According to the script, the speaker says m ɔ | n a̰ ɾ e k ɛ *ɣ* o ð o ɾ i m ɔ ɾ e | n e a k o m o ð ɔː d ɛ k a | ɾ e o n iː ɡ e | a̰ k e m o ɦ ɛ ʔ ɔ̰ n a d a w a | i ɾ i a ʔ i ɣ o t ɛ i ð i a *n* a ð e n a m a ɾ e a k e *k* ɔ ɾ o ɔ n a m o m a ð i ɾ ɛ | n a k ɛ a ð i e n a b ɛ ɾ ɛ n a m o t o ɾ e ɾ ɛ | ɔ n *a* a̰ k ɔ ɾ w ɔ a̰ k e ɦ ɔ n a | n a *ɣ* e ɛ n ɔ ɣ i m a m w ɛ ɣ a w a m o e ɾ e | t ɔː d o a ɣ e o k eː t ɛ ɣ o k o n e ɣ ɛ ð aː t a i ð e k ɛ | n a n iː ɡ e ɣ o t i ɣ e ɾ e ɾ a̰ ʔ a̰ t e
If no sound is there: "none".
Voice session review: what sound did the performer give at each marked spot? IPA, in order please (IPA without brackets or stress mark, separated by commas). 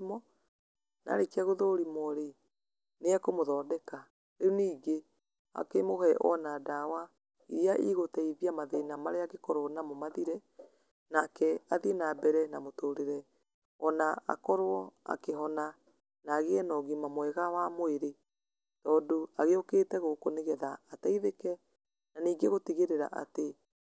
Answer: ɣ, m, k, a, ɣ